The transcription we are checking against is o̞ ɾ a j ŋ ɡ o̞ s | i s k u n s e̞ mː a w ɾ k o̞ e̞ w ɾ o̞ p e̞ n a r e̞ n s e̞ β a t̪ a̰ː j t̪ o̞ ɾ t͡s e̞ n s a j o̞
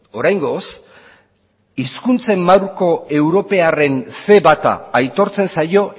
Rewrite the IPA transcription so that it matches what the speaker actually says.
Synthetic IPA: o̞ ɾ a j ŋ ɡ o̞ s | i s k u n t͡s e̞ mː a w ɾ k o̞ e̞ w ɾ o̞ p e̞ a r e̞ n s e̞ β a t̪ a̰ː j t̪ o̞ ɾ t͡s e̞ n s a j o̞